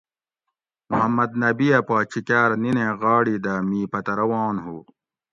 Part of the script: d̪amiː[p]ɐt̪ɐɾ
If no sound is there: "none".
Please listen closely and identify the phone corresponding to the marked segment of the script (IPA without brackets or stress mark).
p